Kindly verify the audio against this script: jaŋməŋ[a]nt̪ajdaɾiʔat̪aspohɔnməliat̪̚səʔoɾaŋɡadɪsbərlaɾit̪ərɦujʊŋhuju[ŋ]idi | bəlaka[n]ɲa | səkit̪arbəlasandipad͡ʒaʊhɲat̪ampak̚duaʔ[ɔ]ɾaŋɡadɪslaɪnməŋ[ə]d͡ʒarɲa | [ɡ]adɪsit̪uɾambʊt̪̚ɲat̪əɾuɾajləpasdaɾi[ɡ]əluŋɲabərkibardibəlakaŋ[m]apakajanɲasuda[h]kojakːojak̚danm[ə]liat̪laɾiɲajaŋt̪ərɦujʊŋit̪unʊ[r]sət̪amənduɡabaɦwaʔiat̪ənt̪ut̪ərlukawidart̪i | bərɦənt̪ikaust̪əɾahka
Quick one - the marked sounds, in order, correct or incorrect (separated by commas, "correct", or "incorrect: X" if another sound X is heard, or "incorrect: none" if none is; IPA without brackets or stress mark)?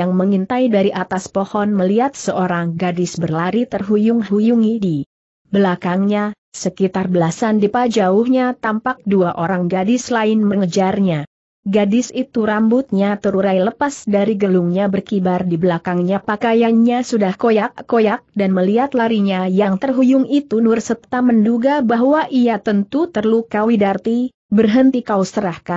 incorrect: i, correct, incorrect: ŋ, incorrect: o, correct, correct, correct, incorrect: ɲ, correct, correct, correct